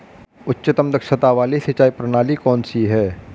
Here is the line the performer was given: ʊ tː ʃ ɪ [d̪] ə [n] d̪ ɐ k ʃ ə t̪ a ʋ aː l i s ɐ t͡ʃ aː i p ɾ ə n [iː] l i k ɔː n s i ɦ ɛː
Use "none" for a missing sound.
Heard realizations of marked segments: t̪, m, aː

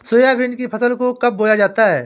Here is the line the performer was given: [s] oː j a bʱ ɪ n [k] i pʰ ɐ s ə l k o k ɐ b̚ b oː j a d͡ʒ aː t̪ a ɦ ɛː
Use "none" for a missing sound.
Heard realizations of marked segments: s, k

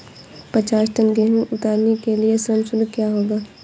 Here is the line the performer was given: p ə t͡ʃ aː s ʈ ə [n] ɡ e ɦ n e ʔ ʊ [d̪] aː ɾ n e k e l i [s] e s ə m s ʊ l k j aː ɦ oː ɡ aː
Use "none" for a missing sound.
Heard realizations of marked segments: n, t̪, none

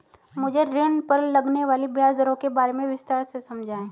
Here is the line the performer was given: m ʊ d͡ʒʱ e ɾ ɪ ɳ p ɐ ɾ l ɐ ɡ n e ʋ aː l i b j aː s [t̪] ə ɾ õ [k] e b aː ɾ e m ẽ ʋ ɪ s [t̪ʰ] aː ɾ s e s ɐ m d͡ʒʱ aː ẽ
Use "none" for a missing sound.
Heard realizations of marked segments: d̪, k, t̪

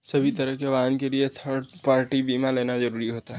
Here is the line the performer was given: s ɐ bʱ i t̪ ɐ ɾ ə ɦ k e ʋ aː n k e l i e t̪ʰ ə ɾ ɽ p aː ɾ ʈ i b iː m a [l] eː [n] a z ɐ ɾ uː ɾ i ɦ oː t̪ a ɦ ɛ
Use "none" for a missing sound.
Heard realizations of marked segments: l, n

